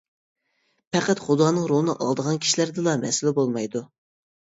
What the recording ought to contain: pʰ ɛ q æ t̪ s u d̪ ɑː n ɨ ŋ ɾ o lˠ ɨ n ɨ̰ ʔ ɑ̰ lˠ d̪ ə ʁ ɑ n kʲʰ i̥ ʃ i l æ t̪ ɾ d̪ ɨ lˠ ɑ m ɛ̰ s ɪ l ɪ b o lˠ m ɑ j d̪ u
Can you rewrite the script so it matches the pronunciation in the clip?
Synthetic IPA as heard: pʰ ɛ q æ t̪ χ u d̪ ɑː n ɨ ŋ ɾ o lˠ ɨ n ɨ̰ ʔ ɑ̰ lˠ d̪ ə ʁ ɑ n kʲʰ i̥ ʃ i l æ ɾ d̪ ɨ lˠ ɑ m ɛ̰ s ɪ l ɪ b o lˠ m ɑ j d̪ u